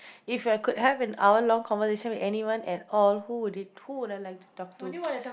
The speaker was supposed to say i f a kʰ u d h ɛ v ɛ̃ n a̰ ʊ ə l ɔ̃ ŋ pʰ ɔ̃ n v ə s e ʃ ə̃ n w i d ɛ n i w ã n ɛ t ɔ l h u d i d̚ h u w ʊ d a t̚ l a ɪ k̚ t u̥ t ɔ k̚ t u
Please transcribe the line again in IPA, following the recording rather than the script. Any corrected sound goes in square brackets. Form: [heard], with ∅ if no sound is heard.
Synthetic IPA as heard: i f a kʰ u d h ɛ v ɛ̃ n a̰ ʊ ə l ɔ̃ ŋ [kʰ] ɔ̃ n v ə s e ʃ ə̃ n w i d ɛ n i w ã n ɛ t ɔ l h u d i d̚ h u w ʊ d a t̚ l a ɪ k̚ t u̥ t ɔ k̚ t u